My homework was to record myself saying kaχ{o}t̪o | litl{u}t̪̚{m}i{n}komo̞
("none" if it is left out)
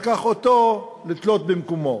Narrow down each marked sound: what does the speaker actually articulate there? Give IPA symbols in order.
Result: o, o, b, m

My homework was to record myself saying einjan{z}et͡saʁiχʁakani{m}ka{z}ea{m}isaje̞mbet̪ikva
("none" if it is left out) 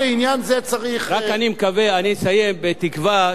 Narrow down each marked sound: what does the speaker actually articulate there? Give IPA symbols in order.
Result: z, m, v, n

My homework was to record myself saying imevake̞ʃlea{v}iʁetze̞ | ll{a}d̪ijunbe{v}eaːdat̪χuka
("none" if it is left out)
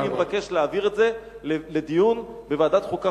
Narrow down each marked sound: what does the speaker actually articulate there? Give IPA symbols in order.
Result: v, e, v

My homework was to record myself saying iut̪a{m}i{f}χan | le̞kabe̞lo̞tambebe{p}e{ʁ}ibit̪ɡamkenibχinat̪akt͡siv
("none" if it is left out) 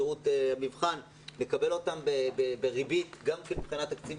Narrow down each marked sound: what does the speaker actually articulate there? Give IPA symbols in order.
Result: m, v, b, ʁ

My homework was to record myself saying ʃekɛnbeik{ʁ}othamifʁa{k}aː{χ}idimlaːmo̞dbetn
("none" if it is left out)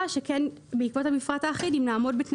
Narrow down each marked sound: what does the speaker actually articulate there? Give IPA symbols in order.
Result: v, t, χ

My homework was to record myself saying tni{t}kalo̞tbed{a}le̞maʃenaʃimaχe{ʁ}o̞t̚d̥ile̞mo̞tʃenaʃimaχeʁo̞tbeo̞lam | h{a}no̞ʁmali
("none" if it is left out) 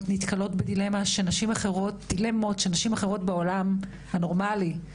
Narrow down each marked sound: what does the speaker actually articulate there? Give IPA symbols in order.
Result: t, i, ʁ, a

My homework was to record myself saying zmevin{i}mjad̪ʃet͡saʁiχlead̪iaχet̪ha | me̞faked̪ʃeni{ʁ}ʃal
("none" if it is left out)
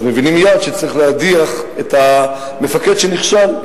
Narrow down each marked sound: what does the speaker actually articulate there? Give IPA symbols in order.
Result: i, χ

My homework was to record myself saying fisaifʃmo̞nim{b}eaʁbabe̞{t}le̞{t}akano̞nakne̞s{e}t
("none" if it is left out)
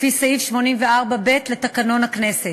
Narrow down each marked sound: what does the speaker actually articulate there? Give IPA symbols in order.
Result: v, t, t, e

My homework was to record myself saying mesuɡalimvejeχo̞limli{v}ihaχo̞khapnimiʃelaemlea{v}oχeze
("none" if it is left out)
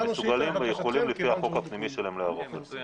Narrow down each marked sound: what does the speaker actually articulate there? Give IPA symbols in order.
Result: f, ʁ

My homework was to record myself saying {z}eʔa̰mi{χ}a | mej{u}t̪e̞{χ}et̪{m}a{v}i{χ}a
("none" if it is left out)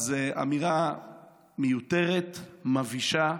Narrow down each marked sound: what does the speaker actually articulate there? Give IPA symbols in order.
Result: z, ʁ, u, ʁ, m, v, ʃ

